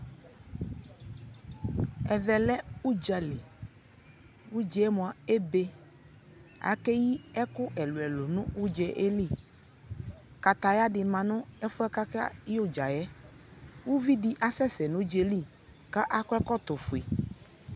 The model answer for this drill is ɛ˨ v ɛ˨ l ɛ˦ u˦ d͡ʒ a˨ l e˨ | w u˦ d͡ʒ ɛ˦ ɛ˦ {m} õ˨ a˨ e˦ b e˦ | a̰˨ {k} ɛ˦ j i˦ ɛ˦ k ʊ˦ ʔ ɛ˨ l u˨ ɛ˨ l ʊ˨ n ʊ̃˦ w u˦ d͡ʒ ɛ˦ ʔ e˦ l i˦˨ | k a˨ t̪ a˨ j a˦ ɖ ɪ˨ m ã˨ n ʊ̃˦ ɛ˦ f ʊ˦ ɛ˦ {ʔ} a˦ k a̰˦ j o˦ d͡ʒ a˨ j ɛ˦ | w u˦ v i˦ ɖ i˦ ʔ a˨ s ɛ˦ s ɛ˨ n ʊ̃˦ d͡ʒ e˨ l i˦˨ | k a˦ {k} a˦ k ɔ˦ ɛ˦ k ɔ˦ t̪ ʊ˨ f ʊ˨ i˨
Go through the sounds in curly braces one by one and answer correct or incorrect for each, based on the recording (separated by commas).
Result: correct, correct, incorrect, incorrect